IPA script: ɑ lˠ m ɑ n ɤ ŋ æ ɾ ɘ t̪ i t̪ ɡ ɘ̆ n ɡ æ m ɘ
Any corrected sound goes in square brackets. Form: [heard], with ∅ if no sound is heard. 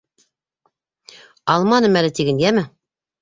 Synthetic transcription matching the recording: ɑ lˠ m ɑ n ɤ [m] æ [l] ɘ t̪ i [∅] ɡ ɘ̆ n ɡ æ m ɘ